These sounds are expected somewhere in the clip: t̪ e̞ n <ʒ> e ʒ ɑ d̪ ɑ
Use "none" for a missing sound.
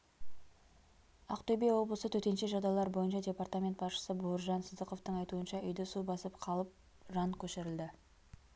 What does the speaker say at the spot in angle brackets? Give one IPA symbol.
ʃ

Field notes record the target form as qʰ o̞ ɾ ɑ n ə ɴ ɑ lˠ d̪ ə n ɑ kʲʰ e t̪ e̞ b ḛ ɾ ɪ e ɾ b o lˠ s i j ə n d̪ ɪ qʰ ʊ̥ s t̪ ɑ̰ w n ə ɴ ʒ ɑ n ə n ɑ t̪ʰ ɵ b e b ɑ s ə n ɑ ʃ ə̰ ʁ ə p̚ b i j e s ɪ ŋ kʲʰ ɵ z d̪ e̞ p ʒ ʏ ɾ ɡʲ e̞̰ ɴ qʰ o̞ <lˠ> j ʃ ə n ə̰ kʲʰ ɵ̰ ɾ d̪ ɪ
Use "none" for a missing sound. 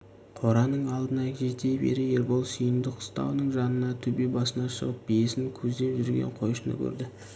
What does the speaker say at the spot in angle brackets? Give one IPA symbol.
none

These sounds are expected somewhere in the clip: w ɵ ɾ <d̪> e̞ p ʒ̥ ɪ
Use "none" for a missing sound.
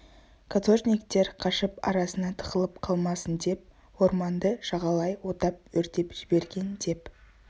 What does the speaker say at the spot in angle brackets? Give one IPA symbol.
t̪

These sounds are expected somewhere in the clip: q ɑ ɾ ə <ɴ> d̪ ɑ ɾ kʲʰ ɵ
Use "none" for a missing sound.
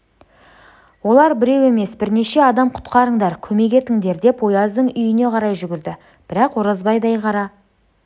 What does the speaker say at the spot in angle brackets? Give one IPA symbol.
ɴ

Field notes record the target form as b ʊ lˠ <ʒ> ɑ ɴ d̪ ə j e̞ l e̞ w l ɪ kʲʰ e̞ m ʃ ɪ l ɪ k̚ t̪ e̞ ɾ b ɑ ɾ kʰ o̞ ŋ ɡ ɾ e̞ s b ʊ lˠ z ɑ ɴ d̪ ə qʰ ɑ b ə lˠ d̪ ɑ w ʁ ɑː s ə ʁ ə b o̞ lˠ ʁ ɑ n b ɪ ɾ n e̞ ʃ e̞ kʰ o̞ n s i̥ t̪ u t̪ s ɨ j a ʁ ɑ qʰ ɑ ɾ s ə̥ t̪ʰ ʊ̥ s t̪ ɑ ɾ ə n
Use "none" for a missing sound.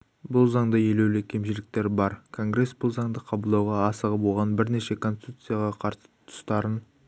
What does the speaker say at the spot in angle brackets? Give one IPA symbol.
z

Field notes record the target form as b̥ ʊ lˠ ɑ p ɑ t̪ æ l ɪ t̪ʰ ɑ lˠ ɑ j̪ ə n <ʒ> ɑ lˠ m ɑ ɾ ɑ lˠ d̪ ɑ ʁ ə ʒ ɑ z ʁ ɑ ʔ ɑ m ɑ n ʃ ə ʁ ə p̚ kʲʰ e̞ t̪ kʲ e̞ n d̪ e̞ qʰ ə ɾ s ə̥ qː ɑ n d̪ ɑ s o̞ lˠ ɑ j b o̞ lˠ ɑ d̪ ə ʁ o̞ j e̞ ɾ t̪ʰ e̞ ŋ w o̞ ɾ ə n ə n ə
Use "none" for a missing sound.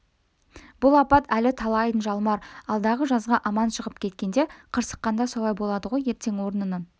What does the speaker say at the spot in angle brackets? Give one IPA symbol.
ʒ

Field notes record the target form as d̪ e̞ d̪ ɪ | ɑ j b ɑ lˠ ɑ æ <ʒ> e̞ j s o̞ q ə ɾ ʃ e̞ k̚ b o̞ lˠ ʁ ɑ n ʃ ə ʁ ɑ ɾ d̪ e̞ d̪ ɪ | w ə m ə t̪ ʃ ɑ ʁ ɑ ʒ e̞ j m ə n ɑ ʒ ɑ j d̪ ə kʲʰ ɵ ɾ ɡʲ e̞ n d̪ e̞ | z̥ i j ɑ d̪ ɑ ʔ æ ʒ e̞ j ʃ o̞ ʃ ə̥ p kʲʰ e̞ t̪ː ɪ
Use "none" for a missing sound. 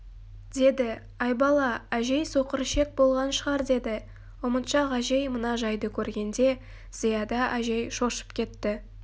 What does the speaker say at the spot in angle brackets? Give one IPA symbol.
ʒ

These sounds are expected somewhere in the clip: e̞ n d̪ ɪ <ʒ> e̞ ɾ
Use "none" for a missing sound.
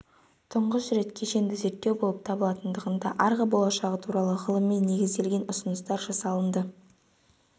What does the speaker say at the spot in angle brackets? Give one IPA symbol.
z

